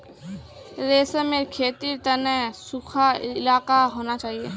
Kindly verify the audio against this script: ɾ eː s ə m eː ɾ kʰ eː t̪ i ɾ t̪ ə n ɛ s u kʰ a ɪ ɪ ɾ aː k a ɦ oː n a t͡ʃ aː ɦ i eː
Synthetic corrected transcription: ɾ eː s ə m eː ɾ kʰ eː t̪ i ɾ t̪ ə n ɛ s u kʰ a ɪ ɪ l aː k a ɦ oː n a t͡ʃ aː ɦ i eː

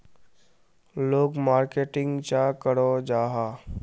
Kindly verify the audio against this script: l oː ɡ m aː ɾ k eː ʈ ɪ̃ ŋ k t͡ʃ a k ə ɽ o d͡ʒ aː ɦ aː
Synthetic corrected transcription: l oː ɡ m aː ɾ k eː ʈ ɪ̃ ŋ ɡ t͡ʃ a k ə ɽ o d͡ʒ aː ɦ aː

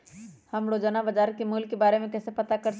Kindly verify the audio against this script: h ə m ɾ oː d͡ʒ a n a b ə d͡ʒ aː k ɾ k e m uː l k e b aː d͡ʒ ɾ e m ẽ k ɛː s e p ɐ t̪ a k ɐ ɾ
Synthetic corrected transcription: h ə m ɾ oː d͡ʒ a n a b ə d͡ʒ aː ɾ k e m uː l k e b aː ɾ e m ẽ k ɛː s e p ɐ t̪ a k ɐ ɾ

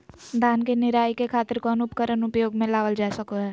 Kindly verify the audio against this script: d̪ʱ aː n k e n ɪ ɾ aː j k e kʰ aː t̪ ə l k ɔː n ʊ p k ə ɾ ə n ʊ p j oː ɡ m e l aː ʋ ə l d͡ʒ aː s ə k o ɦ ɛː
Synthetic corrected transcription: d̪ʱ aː n k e n ɪ ɾ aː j k e kʰ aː t̪ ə ɾ k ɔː n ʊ p k ə ɾ ə n ʊ p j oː ɡ m ẽ l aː ʋ ə l d͡ʒ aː s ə k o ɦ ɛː

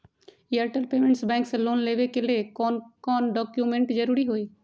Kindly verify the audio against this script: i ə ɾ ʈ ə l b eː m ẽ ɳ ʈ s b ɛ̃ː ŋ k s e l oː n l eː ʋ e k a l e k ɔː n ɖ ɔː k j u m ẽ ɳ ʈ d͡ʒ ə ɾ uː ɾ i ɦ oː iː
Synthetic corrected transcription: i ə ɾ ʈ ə l p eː m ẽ ɳ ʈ s b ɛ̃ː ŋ k s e l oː n l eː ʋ e k e l e k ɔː n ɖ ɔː k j u m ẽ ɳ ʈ d͡ʒ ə ɾ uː ɾ i ɦ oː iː

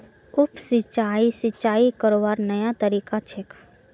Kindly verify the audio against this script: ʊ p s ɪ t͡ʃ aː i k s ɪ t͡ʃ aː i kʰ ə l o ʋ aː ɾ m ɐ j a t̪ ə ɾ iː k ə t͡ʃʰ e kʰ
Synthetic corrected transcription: ʊ p s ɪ t͡ʃ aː i s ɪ t͡ʃ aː i k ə ɾ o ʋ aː ɾ n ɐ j a t̪ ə ɾ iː k a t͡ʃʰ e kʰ

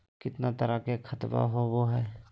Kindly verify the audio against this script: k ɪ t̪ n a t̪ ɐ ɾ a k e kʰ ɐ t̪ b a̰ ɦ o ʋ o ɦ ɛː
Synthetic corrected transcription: k ɪ t̪ n a t̪ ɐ ɾ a k e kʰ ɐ t̪ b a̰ ɦ o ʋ o ɦ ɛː

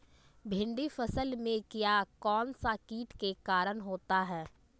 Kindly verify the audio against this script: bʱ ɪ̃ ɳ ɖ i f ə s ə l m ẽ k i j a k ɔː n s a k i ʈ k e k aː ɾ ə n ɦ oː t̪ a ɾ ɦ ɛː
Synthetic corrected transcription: bʱ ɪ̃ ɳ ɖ i f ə s ə l m ẽ k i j a k ɔː n s a k iː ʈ k e k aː ɾ ə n ɦ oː t̪ a ɦ ɛː

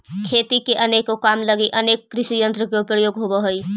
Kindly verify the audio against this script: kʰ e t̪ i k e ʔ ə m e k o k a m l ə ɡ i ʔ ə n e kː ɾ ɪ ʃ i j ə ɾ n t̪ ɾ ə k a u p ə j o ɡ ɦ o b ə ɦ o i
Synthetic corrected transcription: kʰ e t̪ i k e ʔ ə n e k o k a m l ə ɡ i ʔ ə n e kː ɾ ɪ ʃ i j ə n t̪ ɾ ə k e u p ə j o ɡ ɦ o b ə ɦ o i

